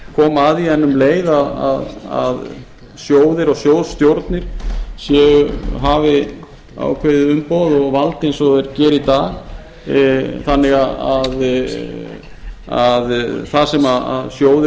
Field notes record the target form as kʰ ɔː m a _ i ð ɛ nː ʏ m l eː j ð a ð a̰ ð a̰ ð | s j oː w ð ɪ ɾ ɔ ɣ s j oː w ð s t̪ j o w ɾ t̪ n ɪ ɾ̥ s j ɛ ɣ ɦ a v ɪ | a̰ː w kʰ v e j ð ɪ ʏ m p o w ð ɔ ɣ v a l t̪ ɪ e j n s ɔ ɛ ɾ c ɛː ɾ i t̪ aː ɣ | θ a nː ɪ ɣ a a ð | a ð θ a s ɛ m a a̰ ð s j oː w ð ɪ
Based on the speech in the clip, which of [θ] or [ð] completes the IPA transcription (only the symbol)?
ð